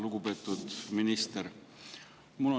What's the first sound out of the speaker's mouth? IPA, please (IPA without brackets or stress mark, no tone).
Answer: l